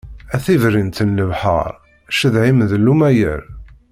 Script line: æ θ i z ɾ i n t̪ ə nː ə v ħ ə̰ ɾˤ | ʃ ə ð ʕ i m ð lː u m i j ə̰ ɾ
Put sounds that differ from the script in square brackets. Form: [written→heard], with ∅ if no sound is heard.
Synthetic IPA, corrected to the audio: æ θ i [z→v] ɾ i n t̪ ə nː ə v ħ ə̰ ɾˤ | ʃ ə ð ʕ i m ð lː u m [i→æ] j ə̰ ɾ

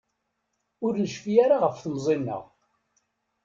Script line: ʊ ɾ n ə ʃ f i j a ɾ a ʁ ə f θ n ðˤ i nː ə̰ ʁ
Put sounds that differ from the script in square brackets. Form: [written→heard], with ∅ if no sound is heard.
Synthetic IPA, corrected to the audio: ʊ ɾ n ə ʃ f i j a ɾ a ʁ ə f θ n [ðˤ→zˤ] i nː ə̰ ʁ

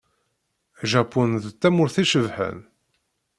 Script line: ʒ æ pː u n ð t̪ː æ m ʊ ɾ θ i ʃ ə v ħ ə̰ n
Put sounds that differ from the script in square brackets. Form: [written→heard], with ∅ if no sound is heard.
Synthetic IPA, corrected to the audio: ʒ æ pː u n ð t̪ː æ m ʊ ɾ θ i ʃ ə v ħ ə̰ n

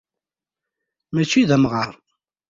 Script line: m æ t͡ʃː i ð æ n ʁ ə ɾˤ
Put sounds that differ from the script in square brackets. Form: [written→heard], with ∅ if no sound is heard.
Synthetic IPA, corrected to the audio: m æ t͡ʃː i ð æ [n→m] ʁ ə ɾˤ

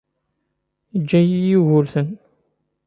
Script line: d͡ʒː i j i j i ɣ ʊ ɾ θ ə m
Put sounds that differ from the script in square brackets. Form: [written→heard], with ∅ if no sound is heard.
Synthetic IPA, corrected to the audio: d͡ʒː [i→æ] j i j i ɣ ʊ ɾ θ ə [m→n]

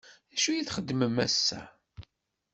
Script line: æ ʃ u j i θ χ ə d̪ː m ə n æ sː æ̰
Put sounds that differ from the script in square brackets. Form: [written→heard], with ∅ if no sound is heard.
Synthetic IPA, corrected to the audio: æ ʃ u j i θ χ ə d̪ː m ə [n→m] æ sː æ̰

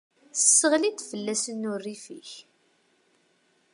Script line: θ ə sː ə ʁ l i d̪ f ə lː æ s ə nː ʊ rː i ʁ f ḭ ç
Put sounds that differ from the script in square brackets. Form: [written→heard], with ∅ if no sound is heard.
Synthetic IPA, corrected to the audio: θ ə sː ə ʁ l i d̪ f ə lː æ s ə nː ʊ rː i [ʁ→∅] f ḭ ç

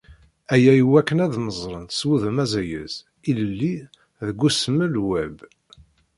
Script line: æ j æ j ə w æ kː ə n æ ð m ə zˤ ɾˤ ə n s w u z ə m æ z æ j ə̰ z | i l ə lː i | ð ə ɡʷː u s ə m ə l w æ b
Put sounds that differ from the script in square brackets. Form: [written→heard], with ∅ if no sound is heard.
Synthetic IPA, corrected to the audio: æ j æ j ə w æ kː ə n æ ð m ə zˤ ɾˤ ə n s w u [z→ð] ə m æ z æ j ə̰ z | i l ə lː i | ð ə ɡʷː u s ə m ə l w æ b

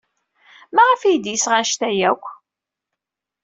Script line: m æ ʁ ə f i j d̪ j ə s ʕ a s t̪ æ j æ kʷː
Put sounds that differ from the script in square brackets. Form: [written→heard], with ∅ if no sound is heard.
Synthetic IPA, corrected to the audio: m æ ʁ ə f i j d̪ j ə s [ʕ→ʁ] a [s→ʃ] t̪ æ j æ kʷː

